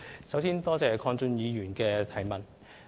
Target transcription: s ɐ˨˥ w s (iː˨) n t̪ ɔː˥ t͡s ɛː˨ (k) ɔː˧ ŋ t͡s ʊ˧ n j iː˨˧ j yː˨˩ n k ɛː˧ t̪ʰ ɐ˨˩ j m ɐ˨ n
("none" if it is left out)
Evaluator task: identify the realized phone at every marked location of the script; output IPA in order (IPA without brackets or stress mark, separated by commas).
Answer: iː˥, kʰ